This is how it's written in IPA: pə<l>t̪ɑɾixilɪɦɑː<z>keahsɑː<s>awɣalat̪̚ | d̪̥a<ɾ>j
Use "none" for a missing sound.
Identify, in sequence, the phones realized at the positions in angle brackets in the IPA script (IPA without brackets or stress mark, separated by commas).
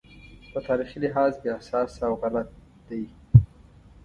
none, z, s, none